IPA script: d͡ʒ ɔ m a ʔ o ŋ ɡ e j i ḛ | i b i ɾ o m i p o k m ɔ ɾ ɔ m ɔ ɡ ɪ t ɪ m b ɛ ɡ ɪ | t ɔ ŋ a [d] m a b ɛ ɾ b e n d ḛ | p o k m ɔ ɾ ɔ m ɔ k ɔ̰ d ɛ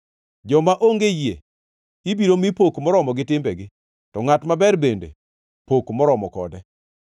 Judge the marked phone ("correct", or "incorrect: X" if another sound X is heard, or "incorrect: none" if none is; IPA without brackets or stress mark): incorrect: t